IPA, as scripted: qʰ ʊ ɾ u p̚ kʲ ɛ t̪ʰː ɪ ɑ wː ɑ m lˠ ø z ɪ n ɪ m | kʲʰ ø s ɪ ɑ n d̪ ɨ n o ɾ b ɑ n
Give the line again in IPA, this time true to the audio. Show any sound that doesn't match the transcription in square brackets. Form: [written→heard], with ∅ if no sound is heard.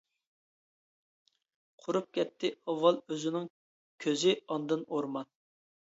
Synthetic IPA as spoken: qʰ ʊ ɾ u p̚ kʲ ɛ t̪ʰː ɪ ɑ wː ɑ [m→∅] lˠ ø z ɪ n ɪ [m→ŋ] | kʲʰ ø [s→z] ɪ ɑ n d̪ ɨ n o ɾ [b→m] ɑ n